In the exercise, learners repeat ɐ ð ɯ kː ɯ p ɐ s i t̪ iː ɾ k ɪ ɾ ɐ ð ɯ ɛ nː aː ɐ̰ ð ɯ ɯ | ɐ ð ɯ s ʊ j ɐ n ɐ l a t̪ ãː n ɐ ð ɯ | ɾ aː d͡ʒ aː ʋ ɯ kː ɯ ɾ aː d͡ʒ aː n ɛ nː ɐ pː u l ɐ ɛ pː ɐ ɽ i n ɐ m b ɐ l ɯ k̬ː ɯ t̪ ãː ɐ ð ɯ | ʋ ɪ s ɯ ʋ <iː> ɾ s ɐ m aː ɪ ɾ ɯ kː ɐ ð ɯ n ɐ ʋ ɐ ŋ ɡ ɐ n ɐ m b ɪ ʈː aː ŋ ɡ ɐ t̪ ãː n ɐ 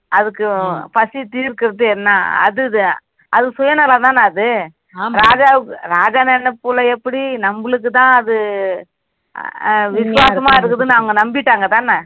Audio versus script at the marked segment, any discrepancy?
yes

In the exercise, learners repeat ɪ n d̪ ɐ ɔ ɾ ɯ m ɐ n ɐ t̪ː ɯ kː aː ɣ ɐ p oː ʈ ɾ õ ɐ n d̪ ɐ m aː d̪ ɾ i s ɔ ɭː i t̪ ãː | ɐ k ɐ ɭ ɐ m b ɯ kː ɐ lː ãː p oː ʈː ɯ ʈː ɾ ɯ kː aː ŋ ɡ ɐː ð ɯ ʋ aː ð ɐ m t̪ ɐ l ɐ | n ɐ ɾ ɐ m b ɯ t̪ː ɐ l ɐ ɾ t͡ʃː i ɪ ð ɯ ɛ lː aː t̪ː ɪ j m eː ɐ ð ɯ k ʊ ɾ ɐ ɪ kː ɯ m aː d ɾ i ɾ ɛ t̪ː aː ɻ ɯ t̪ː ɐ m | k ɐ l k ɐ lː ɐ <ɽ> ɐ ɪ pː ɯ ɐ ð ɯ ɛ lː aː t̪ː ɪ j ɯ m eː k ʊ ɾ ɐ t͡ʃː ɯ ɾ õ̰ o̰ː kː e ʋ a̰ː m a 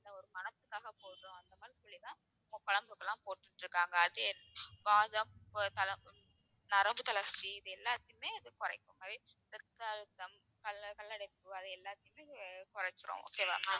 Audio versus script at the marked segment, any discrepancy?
no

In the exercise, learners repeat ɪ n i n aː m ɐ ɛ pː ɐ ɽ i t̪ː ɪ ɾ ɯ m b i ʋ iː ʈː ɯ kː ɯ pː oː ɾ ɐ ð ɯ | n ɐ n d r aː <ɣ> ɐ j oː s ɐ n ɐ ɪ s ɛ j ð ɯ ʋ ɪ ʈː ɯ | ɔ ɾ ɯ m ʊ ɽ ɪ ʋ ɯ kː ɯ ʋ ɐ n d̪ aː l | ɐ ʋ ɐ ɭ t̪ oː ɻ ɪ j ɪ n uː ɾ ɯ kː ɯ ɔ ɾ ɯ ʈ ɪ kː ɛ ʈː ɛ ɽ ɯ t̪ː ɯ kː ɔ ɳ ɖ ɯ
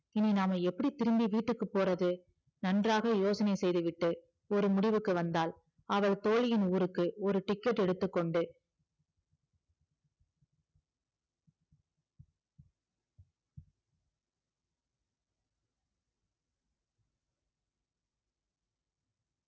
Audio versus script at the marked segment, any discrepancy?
no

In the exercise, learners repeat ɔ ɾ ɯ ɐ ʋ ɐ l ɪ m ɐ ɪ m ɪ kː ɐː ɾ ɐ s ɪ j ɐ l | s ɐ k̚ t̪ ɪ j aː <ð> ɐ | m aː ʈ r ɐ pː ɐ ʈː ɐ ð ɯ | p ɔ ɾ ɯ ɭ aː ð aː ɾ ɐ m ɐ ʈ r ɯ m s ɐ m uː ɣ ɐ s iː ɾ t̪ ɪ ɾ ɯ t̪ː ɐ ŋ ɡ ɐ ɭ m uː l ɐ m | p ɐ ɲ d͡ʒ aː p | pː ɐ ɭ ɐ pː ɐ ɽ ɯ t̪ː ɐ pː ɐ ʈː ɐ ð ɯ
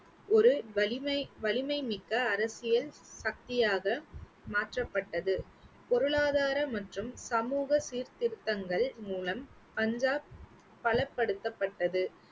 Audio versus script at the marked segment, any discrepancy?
yes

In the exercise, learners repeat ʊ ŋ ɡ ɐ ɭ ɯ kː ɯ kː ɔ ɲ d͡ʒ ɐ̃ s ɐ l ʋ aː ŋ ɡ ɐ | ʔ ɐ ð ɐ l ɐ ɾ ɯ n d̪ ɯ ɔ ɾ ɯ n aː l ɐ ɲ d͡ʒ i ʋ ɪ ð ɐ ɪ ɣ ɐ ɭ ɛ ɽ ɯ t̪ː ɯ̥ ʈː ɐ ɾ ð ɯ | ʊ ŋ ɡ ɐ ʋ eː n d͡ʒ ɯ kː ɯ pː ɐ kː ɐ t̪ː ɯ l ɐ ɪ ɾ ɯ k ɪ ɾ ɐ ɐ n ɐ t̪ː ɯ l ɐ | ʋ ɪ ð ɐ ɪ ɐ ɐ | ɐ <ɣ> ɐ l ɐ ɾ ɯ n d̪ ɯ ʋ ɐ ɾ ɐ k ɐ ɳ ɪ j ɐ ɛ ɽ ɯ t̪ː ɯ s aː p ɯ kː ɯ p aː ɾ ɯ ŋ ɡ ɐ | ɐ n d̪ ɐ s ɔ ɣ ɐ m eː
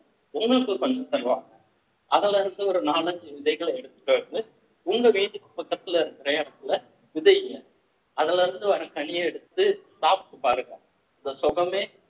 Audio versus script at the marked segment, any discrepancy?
yes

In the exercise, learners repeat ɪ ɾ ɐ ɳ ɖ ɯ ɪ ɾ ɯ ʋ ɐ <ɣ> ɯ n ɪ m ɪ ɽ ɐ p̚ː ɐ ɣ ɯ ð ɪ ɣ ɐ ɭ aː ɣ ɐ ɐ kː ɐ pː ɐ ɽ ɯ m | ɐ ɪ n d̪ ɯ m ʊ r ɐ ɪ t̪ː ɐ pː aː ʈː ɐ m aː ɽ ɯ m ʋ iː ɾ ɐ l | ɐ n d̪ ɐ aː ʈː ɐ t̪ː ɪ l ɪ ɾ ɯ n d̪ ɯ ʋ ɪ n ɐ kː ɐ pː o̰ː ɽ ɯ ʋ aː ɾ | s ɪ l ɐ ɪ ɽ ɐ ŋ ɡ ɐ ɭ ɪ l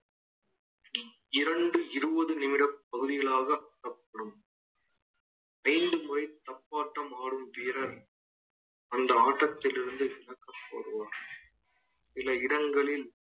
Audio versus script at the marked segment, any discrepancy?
yes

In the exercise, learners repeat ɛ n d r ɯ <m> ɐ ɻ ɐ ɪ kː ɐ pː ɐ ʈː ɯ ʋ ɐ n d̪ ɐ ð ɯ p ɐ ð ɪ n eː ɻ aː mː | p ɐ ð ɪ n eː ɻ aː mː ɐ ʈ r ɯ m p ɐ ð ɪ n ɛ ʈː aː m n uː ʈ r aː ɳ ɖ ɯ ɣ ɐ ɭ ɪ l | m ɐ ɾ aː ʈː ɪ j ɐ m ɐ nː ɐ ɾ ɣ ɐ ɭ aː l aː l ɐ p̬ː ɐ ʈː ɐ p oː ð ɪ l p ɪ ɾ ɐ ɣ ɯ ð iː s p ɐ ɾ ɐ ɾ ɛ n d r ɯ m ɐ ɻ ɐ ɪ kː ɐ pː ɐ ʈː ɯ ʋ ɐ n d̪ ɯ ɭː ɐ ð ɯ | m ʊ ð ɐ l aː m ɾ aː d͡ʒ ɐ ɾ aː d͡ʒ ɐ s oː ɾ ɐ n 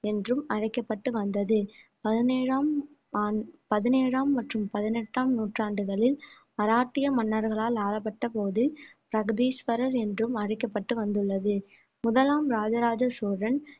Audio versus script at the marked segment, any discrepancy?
no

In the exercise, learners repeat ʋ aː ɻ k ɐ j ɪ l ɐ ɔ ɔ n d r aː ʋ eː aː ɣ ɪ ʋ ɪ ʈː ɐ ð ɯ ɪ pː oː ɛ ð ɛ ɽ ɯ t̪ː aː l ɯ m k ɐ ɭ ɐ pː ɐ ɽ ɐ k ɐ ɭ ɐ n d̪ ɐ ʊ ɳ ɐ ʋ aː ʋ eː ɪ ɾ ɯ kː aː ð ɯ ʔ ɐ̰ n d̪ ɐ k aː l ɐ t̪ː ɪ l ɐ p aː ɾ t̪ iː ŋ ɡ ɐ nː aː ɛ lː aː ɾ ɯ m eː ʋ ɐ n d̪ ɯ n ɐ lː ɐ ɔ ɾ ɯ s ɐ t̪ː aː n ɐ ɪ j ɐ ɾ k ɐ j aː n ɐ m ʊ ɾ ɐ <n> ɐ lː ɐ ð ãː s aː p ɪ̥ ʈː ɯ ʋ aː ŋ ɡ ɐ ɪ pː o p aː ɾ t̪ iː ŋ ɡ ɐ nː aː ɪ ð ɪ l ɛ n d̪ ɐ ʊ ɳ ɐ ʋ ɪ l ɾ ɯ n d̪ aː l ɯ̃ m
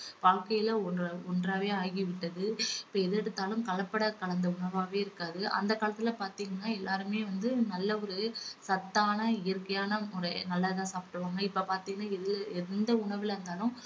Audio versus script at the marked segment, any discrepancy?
no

